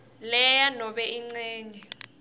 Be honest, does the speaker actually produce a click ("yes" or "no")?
yes